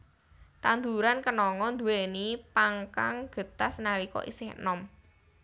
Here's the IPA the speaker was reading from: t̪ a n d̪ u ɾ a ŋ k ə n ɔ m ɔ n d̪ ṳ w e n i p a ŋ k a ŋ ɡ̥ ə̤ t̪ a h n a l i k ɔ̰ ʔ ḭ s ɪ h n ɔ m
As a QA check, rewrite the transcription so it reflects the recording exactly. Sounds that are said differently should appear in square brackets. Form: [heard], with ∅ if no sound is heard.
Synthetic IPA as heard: t̪ a n d̪ u ɾ a [n] k ə n ɔ [ŋ] ɔ n d̪ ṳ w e n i p a ŋ k a ŋ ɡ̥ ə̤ t̪ a [s] n a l i k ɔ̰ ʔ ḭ s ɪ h n ɔ m